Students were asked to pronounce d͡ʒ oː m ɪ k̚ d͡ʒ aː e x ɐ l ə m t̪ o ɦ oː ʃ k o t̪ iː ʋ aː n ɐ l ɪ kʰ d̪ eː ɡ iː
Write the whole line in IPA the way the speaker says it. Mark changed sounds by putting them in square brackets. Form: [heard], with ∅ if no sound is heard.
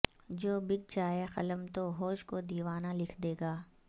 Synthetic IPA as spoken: d͡ʒ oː [b] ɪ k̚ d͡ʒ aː e x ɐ l ə m t̪ o ɦ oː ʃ k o [d̪] iː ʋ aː n [a] l ɪ kʰ d̪ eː ɡ [aː]